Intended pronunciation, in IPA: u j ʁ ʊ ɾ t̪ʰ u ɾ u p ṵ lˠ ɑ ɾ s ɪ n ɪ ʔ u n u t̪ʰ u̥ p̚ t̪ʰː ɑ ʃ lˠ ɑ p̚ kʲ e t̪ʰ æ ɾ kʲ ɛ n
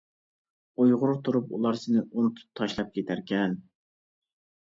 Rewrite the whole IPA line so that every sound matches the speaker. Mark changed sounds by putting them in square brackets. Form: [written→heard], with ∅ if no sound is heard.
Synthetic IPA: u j ʁ ʊ ɾ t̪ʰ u ɾ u p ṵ lˠ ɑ ɾ s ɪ n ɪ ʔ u n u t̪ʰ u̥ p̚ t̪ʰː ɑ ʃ lˠ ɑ p̚ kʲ e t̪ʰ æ ɾ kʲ ɛ n